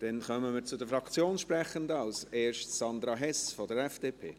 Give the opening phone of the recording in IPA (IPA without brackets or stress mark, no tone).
d̥